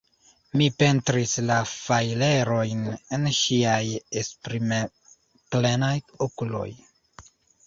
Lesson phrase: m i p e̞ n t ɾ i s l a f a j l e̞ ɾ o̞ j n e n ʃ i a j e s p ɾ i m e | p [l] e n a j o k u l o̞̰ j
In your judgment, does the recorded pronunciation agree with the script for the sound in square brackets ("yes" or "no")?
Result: yes